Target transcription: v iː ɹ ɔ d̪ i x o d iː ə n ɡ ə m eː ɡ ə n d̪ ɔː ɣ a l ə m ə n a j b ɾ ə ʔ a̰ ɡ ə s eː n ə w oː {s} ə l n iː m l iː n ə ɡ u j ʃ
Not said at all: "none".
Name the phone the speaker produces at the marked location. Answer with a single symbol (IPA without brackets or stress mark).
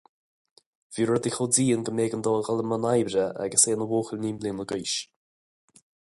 x